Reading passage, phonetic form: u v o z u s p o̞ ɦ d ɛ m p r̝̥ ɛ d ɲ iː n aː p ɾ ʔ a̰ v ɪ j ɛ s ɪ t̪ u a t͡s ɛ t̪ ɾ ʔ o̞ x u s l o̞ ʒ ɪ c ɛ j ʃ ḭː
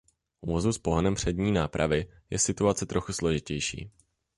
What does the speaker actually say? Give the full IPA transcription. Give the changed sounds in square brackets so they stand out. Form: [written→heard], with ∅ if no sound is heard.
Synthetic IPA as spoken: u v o z u s p o̞ ɦ [d→n] ɛ m p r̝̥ ɛ d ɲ iː n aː p ɾ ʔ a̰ v ɪ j ɛ s ɪ t̪ u a t͡s ɛ t̪ ɾ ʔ o̞ x u s l o̞ ʒ ɪ c ɛ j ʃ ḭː